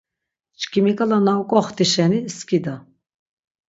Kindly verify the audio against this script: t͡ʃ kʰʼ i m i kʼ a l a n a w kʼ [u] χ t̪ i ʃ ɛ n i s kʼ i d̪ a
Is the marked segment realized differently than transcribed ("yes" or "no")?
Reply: yes